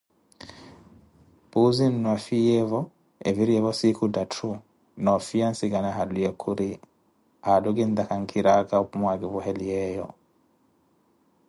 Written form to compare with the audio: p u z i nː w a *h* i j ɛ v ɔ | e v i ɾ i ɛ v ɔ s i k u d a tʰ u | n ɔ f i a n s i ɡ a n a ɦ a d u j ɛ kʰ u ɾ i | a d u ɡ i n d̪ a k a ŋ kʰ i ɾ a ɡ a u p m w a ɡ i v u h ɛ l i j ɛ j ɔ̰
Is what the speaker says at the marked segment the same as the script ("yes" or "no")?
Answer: no